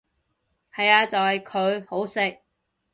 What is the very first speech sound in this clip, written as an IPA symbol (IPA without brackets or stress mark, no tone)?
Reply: h